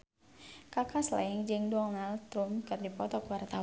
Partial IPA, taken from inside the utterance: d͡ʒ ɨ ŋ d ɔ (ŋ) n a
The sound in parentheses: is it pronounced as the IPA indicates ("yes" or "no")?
yes